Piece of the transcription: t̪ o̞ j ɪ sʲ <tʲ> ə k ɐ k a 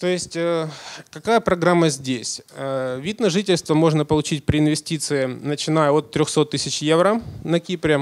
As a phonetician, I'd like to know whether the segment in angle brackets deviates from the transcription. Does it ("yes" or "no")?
no